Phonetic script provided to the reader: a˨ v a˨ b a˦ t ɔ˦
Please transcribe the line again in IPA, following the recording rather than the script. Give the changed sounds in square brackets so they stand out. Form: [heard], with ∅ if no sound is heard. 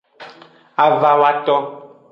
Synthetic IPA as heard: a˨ v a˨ [w] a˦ t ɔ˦

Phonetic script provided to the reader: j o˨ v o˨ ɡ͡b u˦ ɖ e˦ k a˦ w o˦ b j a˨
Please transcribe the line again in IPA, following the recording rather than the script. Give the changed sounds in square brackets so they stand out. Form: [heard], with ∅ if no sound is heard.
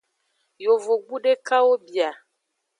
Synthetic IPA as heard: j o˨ v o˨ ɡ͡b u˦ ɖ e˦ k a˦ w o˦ b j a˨

